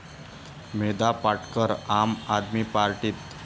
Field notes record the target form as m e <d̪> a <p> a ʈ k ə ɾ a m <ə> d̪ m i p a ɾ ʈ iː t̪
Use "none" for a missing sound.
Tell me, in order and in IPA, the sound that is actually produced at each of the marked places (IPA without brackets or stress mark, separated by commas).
d̪, p, a